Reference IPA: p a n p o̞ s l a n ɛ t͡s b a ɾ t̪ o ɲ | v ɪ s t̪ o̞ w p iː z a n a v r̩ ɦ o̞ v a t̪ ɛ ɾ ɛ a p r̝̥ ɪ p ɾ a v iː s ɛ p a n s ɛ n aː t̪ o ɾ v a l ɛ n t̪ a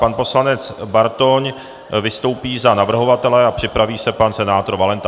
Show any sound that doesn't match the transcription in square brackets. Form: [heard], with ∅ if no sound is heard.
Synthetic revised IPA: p a n p o̞ s l a n ɛ t͡s b a ɾ t̪ o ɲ | v ɪ s t̪ o̞ w p iː z a n a v r̩ ɦ o̞ v a t̪ ɛ [l] ɛ a p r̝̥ ɪ p ɾ a v iː s ɛ p a n s ɛ n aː t̪ o ɾ v a l ɛ n t̪ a

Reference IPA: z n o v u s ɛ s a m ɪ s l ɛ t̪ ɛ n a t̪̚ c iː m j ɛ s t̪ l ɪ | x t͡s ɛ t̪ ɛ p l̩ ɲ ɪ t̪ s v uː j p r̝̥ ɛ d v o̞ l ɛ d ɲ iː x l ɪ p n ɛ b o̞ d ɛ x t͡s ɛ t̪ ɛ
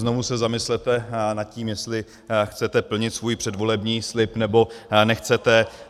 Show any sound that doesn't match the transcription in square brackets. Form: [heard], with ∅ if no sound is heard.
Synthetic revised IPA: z n o v u s ɛ [z] a m ɪ s l ɛ t̪ ɛ n a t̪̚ c iː m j ɛ s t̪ l ɪ | x t͡s ɛ t̪ ɛ p l̩ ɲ ɪ t̪ s v uː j p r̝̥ ɛ d v o̞ l ɛ [b] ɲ iː [s] l ɪ p n ɛ b o̞ [n] ɛ x t͡s ɛ t̪ ɛ

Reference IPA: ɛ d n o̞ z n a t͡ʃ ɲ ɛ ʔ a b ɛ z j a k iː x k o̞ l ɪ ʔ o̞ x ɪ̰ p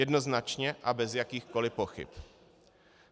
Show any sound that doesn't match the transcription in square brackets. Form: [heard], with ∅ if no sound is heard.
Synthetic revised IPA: ɛ d n o̞ z n a t͡ʃ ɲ ɛ ʔ a b ɛ z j a k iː x k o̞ l ɪ [p] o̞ x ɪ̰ p

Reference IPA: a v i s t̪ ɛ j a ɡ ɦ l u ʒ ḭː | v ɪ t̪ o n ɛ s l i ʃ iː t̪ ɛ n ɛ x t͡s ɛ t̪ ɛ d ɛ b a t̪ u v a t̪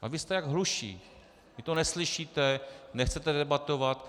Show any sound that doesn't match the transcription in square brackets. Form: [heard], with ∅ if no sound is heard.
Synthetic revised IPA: a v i s t̪ ɛ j a ɡ ɦ l u [ʃ] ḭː | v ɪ t̪ o n ɛ s l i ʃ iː t̪ ɛ n ɛ x t͡s ɛ t̪ ɛ d ɛ b a t̪ [o] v a t̪

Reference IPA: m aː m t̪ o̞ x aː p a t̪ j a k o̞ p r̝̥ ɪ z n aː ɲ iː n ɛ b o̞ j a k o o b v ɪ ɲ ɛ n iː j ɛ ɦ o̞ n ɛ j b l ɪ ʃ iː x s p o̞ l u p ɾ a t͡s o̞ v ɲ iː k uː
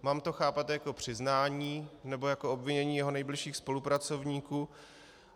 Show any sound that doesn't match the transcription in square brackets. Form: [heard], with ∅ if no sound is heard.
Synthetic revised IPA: m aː m t̪ o̞ x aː p a t̪ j a k o̞ p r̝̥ ɪ z n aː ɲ iː n ɛ b o̞ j a k o o b v ɪ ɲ ɛ [ɲ] iː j ɛ ɦ o̞ n ɛ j b l ɪ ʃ iː x s p o̞ l u p ɾ a t͡s o̞ v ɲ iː k uː

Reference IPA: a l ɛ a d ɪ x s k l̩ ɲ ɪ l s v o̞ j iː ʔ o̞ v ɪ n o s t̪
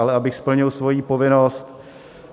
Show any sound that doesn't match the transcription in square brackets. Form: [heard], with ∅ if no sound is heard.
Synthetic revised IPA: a l ɛ a [b] ɪ x s [p] l̩ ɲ ɪ l s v o̞ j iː [p] o̞ v ɪ n o s t̪

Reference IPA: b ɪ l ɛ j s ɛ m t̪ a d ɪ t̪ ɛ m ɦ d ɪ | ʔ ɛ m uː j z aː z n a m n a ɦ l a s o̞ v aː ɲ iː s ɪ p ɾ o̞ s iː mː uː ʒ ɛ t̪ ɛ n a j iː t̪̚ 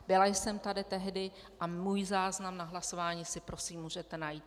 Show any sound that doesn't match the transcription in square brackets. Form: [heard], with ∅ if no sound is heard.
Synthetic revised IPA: b ɪ l [a] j s ɛ m t̪ a d ɪ t̪ ɛ [∅] ɦ d ɪ | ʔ [a] m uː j z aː z n a m n a ɦ l a s o̞ v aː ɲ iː s ɪ p ɾ o̞ s iː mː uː ʒ ɛ t̪ ɛ n a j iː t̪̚

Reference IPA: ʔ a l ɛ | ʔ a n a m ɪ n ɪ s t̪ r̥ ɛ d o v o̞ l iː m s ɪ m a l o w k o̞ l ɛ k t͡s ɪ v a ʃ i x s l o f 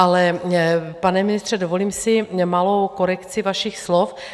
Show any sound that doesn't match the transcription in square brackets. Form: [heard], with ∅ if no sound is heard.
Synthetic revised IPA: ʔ a l ɛ | [p] a n [ɛ] m ɪ n ɪ s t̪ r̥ ɛ d o v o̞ l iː m s ɪ m a l o w k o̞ [ɾ] ɛ k t͡s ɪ v a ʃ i x s l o f

